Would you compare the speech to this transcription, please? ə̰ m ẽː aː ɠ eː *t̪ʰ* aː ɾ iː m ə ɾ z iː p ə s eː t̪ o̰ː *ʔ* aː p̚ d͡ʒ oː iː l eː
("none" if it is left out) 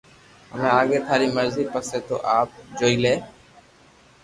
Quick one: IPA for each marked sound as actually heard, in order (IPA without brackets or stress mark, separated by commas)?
t̪ʰ, ʔ